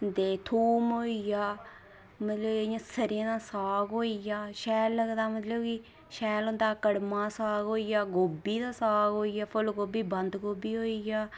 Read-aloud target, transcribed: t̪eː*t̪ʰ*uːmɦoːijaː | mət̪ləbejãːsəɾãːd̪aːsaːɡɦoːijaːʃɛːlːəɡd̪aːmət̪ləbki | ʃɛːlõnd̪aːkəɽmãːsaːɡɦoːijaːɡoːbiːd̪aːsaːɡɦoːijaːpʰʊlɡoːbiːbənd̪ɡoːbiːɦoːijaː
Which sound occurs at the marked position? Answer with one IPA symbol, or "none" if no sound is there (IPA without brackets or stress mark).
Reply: t̪ʰ